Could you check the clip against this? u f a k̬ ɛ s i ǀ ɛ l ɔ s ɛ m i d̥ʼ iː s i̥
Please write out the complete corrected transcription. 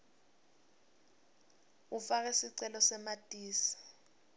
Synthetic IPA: u f a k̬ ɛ s i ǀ ɛ l ɔ s ɛ m a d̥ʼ iː s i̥